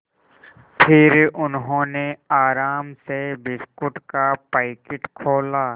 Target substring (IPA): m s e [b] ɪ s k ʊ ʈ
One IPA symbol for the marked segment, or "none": b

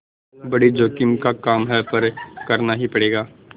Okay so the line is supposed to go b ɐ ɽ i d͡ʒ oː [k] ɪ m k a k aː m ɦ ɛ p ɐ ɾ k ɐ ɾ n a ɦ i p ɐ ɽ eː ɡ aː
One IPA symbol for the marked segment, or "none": k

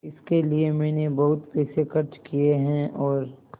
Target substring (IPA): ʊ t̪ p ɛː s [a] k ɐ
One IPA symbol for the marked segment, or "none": e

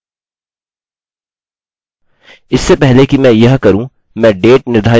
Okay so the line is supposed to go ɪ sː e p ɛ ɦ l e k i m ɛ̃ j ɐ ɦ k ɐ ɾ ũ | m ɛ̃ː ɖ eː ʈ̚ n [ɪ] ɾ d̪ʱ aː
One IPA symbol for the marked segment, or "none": ɪ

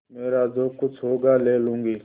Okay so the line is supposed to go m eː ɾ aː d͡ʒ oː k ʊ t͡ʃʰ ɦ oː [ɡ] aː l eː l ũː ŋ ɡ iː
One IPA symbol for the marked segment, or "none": ɡ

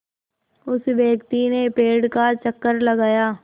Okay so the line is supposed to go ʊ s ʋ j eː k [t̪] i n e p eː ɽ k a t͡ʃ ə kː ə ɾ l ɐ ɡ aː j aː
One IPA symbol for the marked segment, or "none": t̪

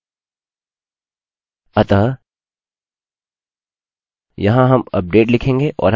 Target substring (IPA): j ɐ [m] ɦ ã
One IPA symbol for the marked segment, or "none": none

